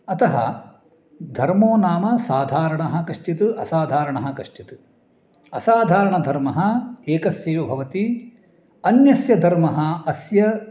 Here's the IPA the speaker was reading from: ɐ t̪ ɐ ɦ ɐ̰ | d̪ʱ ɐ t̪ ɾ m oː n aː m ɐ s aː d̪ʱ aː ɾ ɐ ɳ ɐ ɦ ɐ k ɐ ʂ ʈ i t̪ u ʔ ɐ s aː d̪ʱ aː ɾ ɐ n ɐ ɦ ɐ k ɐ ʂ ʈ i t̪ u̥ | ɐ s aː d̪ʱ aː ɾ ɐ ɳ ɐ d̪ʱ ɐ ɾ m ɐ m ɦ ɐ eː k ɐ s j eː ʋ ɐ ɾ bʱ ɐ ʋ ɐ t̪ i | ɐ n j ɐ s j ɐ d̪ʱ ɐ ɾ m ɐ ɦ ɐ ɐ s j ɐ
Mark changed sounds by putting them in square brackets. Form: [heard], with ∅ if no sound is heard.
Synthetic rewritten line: ɐ t̪ ɐ ɦ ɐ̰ | d̪ʱ ɐ [∅] ɾ m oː n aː m ɐ s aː d̪ʱ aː ɾ ɐ ɳ ɐ ɦ ɐ k ɐ ʂ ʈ i t̪ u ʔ ɐ s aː d̪ʱ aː ɾ ɐ [ɳ] ɐ ɦ ɐ k ɐ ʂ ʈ i t̪ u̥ | ɐ s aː d̪ʱ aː ɾ ɐ ɳ ɐ d̪ʱ ɐ ɾ m ɐ [∅] ɦ ɐ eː k ɐ s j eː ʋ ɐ [∅] bʱ ɐ ʋ ɐ t̪ i | ɐ n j ɐ s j ɐ d̪ʱ ɐ ɾ m ɐ ɦ ɐ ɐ s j ɐ